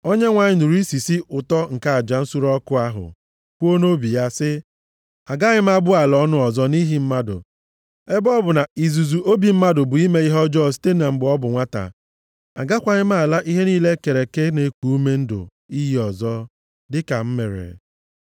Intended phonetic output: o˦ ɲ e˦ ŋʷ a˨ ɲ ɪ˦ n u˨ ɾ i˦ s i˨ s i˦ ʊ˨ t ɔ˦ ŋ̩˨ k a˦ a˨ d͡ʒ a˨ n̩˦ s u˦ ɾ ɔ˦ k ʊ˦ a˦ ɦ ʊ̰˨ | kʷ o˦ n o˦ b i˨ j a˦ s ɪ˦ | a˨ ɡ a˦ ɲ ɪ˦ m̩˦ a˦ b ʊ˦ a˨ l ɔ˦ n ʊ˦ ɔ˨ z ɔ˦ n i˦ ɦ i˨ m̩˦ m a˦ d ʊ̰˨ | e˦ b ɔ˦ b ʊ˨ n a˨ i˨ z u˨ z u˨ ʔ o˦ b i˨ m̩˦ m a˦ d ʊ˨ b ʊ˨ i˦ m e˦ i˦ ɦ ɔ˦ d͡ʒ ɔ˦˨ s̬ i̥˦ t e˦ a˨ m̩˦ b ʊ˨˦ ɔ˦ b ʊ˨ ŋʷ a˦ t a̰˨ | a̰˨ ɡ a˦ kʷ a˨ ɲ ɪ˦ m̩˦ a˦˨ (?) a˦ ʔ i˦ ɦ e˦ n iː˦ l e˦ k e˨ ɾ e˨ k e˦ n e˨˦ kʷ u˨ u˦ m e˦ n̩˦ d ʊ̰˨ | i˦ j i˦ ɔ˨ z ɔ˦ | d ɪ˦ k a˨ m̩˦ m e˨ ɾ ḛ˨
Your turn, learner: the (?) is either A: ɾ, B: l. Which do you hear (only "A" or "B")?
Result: B